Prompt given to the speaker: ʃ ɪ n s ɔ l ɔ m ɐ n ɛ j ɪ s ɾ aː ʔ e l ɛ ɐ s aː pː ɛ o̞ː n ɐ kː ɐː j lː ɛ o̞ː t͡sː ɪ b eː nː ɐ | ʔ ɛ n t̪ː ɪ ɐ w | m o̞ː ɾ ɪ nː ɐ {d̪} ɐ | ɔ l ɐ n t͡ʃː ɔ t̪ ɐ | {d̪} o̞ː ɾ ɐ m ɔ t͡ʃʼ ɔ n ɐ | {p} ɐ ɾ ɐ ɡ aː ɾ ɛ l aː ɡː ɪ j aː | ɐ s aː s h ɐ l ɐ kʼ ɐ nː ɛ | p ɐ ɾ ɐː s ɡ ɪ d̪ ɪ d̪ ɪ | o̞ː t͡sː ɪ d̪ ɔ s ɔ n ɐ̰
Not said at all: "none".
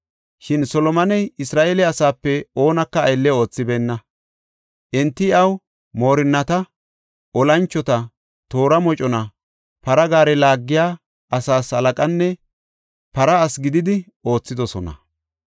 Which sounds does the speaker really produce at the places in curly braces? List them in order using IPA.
t̪, t̪, p

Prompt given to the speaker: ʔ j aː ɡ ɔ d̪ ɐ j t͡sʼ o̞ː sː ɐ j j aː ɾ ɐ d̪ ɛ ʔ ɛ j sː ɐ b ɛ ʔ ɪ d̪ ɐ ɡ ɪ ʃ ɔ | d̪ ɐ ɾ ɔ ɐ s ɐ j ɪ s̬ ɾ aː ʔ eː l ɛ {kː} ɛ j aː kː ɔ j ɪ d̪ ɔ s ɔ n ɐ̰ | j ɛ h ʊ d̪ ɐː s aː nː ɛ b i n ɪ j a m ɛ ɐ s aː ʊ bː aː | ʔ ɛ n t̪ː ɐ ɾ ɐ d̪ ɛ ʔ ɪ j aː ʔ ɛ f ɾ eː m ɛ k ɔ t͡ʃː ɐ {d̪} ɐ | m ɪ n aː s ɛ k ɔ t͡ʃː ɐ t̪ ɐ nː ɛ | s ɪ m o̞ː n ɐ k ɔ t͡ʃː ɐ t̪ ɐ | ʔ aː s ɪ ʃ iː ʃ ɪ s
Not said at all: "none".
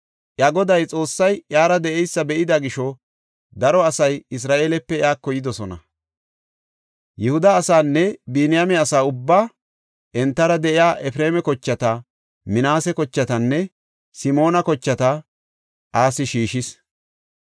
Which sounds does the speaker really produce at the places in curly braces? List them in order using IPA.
pː, t̪

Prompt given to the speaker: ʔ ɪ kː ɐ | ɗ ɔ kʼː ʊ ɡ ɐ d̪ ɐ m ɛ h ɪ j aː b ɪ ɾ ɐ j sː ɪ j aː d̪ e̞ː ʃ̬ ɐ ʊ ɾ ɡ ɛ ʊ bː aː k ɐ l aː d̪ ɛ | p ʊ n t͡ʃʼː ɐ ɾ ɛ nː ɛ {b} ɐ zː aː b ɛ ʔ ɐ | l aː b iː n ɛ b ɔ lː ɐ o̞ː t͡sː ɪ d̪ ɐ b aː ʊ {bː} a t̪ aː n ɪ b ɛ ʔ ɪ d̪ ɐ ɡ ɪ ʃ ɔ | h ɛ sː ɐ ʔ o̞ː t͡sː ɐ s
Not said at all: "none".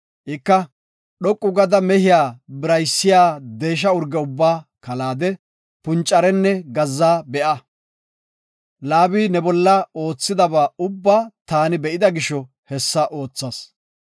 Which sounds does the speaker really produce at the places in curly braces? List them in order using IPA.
ɡ, bː

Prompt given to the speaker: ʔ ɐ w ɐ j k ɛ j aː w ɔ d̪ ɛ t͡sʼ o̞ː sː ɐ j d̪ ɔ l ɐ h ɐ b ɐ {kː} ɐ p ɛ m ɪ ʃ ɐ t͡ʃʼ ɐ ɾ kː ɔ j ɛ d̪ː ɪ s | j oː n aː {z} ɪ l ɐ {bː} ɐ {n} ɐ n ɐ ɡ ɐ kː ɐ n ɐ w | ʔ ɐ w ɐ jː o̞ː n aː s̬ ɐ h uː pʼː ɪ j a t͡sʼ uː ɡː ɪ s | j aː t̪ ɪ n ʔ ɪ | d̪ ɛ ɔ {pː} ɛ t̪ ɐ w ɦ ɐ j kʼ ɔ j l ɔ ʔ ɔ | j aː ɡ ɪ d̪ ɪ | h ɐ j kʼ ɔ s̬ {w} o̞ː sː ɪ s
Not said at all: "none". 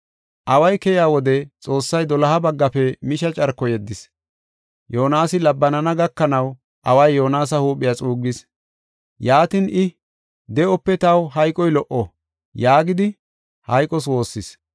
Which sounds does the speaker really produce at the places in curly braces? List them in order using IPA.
ɡː, s, bː, n, pː, w

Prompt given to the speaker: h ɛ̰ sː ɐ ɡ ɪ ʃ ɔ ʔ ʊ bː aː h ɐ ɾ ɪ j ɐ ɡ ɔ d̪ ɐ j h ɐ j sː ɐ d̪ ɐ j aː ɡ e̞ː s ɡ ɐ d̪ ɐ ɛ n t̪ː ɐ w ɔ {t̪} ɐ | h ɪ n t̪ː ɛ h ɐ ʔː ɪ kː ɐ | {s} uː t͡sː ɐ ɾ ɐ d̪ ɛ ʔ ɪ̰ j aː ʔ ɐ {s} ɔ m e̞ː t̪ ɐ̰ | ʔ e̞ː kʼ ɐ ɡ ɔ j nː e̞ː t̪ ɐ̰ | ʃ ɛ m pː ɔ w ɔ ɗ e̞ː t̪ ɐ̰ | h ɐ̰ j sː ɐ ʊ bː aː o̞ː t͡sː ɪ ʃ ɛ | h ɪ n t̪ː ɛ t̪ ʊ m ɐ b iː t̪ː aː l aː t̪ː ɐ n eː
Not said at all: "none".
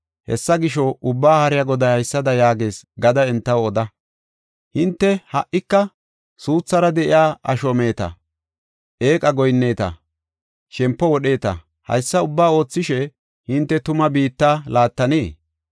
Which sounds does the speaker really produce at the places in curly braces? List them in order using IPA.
d̪, s, ʃ

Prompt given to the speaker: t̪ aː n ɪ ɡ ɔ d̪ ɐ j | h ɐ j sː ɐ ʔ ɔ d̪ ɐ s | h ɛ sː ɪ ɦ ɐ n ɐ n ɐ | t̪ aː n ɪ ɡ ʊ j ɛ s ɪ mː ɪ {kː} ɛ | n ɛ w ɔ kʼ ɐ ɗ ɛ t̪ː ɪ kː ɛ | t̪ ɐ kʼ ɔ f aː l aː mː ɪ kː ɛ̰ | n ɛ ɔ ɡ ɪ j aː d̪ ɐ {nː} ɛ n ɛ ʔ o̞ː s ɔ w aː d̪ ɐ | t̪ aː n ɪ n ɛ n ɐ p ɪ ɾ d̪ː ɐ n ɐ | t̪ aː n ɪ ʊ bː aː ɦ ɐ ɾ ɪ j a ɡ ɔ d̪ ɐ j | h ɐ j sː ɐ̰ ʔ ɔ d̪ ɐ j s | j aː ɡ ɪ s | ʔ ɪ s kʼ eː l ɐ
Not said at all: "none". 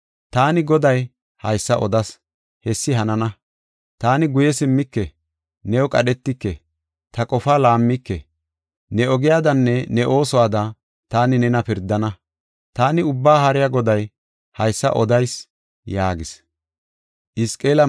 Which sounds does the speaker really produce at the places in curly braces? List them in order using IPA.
kː, nː

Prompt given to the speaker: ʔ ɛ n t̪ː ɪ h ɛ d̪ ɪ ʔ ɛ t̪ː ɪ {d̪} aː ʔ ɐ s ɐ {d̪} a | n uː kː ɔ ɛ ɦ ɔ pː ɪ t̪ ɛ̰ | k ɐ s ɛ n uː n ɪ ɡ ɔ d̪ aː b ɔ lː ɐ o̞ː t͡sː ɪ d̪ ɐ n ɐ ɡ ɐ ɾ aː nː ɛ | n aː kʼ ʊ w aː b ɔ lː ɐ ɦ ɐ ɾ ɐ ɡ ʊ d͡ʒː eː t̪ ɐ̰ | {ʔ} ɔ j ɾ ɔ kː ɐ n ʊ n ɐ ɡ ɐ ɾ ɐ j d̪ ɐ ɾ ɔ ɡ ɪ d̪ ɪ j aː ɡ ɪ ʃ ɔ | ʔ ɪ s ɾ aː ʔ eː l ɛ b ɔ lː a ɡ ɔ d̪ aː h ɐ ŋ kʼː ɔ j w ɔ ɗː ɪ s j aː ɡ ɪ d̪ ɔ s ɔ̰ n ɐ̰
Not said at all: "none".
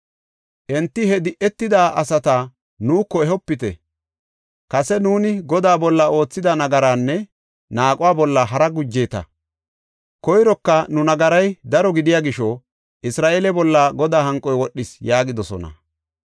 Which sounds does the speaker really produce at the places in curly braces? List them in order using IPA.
d̪, t̪, k

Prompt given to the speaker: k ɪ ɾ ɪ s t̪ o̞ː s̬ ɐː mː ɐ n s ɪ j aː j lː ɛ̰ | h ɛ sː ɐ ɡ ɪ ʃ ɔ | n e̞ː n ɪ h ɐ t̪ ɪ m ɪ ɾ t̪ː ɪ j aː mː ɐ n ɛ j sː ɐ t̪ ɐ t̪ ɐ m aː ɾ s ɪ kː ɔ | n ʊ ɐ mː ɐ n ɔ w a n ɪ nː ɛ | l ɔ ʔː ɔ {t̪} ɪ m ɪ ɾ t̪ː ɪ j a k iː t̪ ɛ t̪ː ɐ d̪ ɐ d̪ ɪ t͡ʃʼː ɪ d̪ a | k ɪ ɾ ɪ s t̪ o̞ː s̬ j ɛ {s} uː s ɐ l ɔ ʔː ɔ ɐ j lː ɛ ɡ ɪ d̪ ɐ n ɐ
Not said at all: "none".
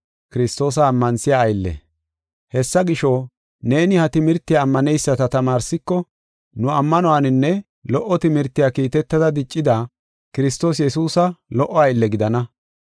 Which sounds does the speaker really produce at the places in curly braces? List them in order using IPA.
t̪, s

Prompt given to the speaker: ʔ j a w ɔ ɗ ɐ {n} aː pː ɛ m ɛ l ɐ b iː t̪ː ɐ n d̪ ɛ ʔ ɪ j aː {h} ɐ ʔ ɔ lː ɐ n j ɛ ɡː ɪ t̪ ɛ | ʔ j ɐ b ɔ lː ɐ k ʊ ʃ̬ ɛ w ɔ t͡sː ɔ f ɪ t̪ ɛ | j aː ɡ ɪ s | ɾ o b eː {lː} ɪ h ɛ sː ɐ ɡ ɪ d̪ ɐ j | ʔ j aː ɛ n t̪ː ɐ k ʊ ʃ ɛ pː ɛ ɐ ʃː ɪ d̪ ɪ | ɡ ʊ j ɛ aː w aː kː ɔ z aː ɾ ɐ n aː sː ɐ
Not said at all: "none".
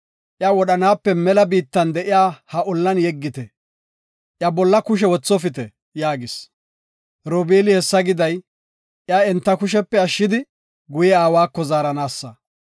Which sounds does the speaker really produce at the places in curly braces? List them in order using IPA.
n, h, l

